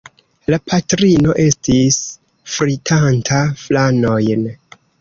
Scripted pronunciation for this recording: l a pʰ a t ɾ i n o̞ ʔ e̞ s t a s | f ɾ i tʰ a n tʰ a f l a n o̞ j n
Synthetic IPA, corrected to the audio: l a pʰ a t ɾ i n o̞ ʔ e̞ s t i s | f ɾ i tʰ a n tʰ a f l a n o̞ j n